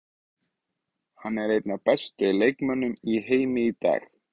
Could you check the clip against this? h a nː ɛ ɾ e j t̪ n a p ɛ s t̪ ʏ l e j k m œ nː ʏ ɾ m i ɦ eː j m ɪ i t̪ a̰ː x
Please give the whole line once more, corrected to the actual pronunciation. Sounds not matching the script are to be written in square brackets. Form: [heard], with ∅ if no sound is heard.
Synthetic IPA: h a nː ɛ ɾ e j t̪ n a p ɛ s t̪ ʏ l e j k m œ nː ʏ [∅] m i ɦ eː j m ɪ i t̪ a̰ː x

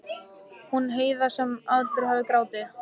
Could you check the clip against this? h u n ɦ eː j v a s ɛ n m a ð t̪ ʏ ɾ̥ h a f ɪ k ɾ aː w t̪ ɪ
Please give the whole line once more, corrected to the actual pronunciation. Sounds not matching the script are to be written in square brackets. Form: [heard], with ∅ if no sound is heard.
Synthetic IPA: h u n ɦ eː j [ð] a s ɛ [∅] m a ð t̪ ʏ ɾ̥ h a [v] ɪ k ɾ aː w t̪ ɪ

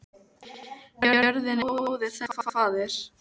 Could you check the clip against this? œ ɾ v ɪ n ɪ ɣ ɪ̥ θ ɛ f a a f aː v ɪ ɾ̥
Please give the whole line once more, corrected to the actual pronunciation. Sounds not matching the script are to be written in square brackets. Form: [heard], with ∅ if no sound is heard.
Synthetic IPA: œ ɾ [ð] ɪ n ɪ [ð] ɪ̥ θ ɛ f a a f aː [ð] ɪ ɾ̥

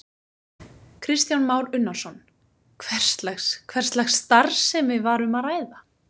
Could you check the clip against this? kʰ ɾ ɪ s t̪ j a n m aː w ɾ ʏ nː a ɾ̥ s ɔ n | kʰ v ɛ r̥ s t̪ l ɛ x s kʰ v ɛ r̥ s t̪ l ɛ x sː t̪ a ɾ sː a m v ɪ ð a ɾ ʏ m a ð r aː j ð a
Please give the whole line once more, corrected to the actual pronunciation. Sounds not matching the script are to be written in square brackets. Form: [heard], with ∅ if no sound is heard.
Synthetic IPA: kʰ ɾ ɪ s t̪ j a n m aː w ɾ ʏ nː a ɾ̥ s ɔ n | kʰ v ɛ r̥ s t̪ l ɛ x s kʰ v ɛ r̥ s t̪ l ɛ x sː t̪ a ɾ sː [ɛ] m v ɪ [v] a ɾ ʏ m a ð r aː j ð a

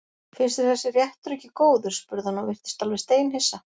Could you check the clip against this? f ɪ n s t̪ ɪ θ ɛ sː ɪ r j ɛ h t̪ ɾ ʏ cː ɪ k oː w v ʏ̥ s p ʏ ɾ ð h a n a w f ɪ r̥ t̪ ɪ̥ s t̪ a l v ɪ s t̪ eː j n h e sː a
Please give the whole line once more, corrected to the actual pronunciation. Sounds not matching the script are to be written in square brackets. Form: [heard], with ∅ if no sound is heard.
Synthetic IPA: f ɪ n s t̪ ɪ θ ɛ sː ɪ r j ɛ h t̪ ɾ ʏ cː ɪ k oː w [ð] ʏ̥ s p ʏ ɾ ð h a n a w [v] ɪ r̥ t̪ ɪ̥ s t̪ a l v ɪ s t̪ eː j n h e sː a

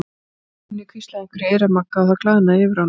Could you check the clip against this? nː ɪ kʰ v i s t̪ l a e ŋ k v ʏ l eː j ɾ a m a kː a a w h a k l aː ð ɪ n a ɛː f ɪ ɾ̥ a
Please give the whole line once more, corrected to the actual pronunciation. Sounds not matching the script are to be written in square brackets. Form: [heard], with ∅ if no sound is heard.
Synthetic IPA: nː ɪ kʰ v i s t̪ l a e ŋ k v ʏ [ɾ] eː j ɾ a m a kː a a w [θ] a k l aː ð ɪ n a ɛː [v] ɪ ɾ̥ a

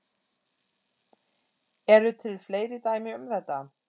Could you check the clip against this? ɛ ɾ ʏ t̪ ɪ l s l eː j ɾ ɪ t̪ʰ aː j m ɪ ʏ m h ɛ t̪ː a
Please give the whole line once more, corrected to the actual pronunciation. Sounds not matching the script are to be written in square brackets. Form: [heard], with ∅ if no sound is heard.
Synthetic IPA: ɛ ɾ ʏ [t̪ʰ] ɪ l [f] l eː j ɾ ɪ [t̪] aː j m ɪ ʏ m [θ] ɛ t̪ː a

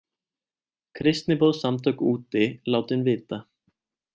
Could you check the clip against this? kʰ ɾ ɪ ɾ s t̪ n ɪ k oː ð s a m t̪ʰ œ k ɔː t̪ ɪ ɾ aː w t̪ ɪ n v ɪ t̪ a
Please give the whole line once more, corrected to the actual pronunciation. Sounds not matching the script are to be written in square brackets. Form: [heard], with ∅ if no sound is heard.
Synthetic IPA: kʰ ɾ ɪ [∅] s t̪ n ɪ [p] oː ð s a m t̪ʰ œ k [uː] t̪ ɪ [l] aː w t̪ ɪ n v [ɪː] t̪ a

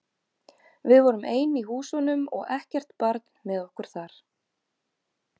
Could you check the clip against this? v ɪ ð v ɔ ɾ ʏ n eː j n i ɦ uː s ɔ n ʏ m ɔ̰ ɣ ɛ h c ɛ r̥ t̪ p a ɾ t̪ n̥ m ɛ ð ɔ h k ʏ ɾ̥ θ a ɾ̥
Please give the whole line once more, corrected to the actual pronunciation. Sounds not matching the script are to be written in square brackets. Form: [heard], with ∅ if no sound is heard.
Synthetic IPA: v ɪ ð v ɔ ɾ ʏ [m] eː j n i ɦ uː s ɔ n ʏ m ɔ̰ ɣ ɛ h c ɛ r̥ t̪ p a ɾ t̪ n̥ m ɛ ð ɔ h k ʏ ɾ̥ θ a ɾ̥

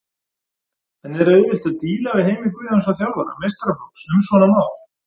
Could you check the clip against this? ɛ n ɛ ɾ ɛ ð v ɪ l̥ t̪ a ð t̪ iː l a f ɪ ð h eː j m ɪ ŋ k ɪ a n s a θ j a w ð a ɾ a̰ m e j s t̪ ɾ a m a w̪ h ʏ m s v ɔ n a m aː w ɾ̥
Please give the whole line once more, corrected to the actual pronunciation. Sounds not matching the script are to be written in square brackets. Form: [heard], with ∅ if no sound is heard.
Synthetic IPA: ɛ n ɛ ɾ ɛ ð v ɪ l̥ t̪ a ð t̪ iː l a [v] ɪ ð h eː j m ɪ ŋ k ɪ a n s a θ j a w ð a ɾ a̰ m e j s t̪ ɾ a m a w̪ [s] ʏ m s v ɔ n a m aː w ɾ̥

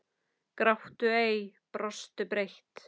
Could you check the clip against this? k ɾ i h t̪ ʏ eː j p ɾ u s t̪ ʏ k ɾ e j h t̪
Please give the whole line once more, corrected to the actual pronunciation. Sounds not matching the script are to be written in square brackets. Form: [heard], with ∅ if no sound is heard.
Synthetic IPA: k ɾ [a] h t̪ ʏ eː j p ɾ [ɔ] s t̪ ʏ [p] ɾ e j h t̪

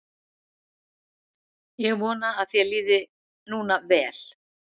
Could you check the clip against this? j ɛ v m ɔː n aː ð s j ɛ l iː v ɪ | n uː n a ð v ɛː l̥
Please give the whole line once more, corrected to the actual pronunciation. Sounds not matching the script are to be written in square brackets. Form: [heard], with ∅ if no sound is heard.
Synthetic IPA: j ɛ [ɣ] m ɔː n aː ð [θ] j ɛ l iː [ð] ɪ | n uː n a [∅] v ɛː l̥

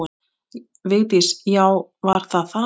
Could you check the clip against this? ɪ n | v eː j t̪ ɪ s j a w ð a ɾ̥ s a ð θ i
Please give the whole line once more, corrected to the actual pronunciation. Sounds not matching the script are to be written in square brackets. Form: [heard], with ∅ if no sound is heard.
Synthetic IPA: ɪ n | v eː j t̪ ɪ s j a w [v] a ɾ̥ [θ] a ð θ [a]

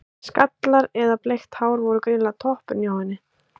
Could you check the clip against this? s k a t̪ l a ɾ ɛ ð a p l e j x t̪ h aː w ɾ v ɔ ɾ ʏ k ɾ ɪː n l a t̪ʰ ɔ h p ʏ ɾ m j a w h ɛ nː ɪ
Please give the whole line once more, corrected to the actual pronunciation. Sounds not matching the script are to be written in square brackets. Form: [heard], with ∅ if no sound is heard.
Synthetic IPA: s k a t̪ l a ɾ ɛ ð a p l e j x t̪ h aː w ɾ v ɔ ɾ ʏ k ɾ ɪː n l a t̪ʰ ɔ h p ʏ ɾ [n] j a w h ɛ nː ɪ

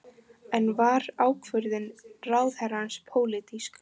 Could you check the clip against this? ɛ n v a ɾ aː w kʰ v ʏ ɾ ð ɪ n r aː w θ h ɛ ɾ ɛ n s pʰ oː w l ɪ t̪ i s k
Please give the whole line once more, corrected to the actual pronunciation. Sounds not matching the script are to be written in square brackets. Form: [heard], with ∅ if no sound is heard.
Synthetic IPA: ɛ n v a ɾ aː w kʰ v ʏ ɾ ð ɪ n r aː w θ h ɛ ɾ [a] n s pʰ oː w l ɪ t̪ i s k

